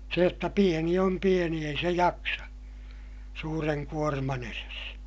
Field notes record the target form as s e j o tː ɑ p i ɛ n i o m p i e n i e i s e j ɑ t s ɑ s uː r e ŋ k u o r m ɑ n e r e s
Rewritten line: s e j o tː ɑ p i e n i o m p i e n i e i s e j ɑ k s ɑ s uː r e ŋ k u o r m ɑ n e r e s

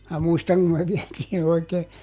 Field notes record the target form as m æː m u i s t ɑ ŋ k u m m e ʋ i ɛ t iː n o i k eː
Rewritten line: m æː m u i s t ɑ ŋ k u m m e ʋ i ɛ t iː n o i k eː

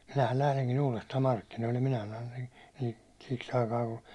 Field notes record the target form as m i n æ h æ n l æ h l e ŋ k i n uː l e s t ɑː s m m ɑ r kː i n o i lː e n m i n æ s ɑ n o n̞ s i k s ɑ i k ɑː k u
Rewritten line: m i n æ h æ n l æ h l e ŋ k i n uː l e s t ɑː m m ɑ r kː i n o i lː e n m i n æ s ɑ n o n̞ s i k s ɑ i k ɑː k u

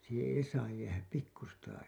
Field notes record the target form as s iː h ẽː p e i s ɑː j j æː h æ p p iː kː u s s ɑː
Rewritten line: s iː h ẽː e i s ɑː j j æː h æ p p i kː u s t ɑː

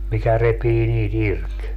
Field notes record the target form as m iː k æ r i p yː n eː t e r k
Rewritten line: m i k æ r e p iː n iː t i r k

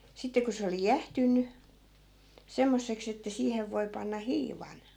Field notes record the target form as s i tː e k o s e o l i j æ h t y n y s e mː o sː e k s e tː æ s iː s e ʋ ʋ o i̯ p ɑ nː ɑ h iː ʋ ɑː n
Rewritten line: s i tː e k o s e o l i j æ h t y nː y s e mː o sː e k s e tː æ s iː h e ʋ ʋ o i̯ p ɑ nː ɑ h iː ʋ ɑ n

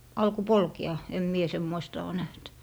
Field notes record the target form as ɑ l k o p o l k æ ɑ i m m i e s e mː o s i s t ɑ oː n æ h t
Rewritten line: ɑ l k o p o l k e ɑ e m m i e s e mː o i s t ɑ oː n æ h t

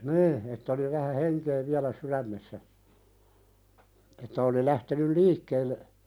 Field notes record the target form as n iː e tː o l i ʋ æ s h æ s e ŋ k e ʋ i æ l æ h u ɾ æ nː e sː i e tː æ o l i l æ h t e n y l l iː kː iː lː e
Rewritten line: n iː e tː o l i ʋ æ h æ h e ŋ k e ʋ i æ l æ s u ɾ æ mː e sː æ e tː æ o l i l æ h t e n y l l iː kː eː lː e

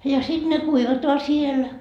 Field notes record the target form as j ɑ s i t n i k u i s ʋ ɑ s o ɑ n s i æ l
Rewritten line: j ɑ s i t n e k u i ʋ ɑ t o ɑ s i e l

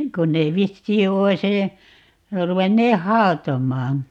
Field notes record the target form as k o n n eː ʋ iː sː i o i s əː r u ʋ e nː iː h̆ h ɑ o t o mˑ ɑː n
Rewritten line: k o n n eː ʋ i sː iː o i s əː r u ʋ e nː eː h̆ h ɑ o t o mˑ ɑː n

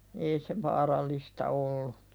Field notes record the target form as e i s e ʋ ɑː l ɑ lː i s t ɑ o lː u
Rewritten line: e i s e ʋ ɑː r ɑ lː i s t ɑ o lː u

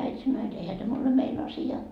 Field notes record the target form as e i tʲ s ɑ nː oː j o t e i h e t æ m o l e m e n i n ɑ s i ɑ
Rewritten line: æ i tʲ s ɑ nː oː j o t e i h æ t æ m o l e m e i n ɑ s i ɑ

